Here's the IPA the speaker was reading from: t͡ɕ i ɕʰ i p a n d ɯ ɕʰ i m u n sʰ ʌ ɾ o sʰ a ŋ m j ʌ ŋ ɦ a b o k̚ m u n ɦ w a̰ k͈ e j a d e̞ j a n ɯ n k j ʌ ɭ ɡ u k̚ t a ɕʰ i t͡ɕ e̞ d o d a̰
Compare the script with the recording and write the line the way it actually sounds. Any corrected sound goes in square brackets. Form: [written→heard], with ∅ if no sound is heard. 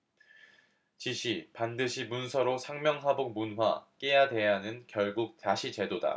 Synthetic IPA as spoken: t͡ɕ i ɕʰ i p a n d ɯ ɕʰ i m u n sʰ ʌ ɾ o sʰ a ŋ m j ʌ ŋ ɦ a b o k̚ m u n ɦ w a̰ k͈ e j a d e̞ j a n ɯ n k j ʌ ɭ ɡ u k̚ t a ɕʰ i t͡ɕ e̞ d o d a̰